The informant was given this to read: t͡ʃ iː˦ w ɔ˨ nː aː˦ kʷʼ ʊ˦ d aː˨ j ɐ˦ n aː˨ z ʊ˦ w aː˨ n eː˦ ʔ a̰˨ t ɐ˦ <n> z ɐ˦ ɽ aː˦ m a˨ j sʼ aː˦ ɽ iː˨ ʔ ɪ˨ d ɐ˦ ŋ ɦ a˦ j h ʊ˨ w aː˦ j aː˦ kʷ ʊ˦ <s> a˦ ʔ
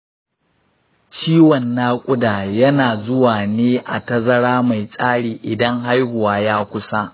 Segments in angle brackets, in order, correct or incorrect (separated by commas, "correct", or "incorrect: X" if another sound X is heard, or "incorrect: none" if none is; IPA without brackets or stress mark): incorrect: none, correct